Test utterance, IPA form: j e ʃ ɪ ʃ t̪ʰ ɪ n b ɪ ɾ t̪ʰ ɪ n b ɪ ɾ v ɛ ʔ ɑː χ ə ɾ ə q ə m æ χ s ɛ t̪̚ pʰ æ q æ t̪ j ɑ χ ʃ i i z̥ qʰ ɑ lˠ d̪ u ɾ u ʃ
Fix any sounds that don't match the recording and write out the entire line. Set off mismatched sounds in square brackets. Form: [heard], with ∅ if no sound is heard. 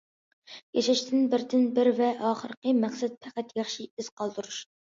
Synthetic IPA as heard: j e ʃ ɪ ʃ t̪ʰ ɪ n b ɪ ɾ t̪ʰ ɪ n b ɪ ɾ v ɛ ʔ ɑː χ ə ɾ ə q ə m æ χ s ɛ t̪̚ pʰ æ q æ t̪ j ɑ χ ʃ i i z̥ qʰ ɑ lˠ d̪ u ɾ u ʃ